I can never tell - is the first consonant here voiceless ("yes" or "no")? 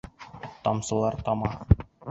yes